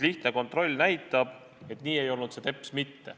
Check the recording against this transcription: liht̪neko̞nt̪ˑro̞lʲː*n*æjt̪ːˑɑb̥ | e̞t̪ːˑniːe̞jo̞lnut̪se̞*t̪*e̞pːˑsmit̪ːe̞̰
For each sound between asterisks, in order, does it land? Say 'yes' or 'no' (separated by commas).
yes, yes